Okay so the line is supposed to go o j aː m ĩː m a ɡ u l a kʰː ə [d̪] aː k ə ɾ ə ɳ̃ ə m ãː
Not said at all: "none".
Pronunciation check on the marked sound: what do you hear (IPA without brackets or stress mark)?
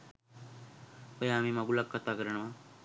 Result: t̪